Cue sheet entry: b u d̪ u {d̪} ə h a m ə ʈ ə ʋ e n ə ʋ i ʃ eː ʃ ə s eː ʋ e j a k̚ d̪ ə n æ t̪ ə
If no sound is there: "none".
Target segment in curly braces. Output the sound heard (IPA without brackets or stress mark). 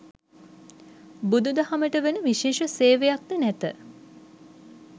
d̪